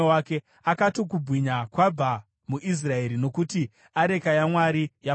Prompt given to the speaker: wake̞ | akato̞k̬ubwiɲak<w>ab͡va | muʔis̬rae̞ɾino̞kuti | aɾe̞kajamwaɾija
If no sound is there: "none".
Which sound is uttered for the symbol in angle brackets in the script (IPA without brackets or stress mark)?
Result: w